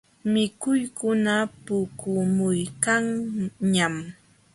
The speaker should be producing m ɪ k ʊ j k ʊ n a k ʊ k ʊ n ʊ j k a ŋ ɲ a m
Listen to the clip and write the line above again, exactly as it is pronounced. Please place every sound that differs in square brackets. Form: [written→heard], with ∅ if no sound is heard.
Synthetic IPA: m ɪ k ʊ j k ʊ n a [k→p] ʊ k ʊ [n→m] ʊ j k a ŋ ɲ a m